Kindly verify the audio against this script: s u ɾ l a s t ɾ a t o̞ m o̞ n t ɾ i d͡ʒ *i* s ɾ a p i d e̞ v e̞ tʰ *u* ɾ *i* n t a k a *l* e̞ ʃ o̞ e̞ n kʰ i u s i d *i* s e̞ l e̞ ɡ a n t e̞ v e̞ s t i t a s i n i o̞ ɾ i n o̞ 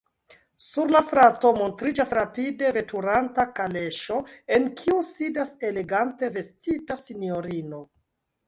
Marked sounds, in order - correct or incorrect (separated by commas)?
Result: incorrect, correct, incorrect, correct, incorrect